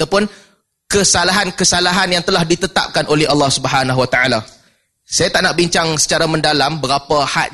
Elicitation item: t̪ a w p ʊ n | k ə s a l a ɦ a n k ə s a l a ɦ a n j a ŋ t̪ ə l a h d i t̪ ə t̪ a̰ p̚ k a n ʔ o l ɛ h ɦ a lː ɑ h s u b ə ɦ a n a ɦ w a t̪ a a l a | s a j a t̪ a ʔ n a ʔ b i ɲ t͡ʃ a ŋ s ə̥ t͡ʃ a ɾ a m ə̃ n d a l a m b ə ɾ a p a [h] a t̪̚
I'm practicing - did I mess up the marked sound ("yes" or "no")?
no